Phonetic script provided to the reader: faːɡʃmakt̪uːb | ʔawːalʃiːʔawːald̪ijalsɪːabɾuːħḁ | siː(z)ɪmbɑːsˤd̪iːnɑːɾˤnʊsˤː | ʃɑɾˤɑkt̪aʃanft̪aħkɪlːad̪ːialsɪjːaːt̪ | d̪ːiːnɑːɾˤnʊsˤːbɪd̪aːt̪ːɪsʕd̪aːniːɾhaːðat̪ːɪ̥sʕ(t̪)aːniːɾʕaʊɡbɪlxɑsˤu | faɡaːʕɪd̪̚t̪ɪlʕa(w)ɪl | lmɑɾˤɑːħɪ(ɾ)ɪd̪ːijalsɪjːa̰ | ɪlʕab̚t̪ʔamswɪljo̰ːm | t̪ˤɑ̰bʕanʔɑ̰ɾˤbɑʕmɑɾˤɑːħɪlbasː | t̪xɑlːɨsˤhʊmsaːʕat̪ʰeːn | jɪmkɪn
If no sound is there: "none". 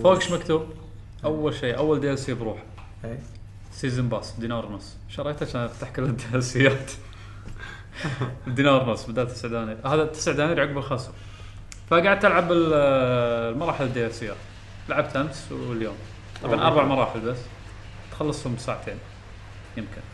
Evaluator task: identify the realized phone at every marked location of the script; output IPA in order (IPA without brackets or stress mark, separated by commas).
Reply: z, d̪, b, l